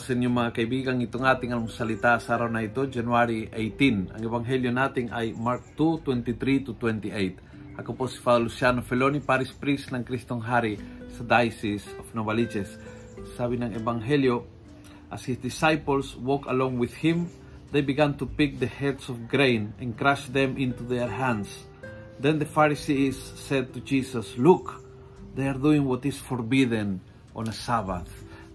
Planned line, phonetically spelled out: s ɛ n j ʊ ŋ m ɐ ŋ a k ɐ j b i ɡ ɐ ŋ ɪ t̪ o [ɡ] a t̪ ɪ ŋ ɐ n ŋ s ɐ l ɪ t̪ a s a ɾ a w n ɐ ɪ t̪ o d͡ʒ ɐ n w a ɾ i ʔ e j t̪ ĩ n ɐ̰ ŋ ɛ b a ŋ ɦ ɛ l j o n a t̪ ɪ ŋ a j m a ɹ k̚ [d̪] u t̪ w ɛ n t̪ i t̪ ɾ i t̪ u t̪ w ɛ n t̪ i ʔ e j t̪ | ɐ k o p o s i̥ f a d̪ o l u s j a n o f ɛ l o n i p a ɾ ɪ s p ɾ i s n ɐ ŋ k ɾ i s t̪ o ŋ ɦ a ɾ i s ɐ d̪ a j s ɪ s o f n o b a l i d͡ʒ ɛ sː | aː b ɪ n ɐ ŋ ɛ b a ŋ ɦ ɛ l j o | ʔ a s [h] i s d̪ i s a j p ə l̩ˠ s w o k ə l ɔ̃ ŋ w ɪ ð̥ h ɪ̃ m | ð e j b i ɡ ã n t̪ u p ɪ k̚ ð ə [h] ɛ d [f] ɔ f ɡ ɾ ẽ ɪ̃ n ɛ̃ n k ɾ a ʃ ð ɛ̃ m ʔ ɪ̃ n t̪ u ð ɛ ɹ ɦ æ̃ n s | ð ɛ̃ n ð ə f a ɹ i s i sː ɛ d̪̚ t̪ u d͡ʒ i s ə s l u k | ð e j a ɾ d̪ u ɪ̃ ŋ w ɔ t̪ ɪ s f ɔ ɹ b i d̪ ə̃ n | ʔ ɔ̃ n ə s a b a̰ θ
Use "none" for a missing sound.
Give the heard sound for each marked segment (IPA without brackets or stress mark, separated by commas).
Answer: ŋ, t̪, h, h, s